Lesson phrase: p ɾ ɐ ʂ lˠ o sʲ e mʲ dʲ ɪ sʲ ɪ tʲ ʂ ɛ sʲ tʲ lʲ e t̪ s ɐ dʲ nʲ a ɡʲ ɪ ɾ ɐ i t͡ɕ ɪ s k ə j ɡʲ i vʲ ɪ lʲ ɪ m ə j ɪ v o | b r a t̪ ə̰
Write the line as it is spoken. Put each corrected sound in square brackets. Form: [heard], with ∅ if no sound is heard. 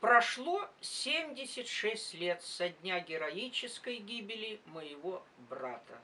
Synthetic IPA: p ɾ ɐ ʂ lˠ o sʲ e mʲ dʲ ɪ sʲ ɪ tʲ ʂ ɛ sʲ tʲ lʲ e t̪ s ɐ dʲ nʲ a ɡʲ ɪ ɾ ɐ i t͡ɕ ɪ s k ə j ɡʲ i [bʲ] ɪ lʲ ɪ m ə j ɪ v o | b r a t̪ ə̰